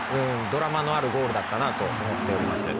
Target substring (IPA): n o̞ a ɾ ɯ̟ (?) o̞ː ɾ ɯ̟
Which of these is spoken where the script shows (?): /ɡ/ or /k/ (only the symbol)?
ɡ